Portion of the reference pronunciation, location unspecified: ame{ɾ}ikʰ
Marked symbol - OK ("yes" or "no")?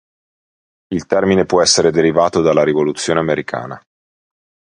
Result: yes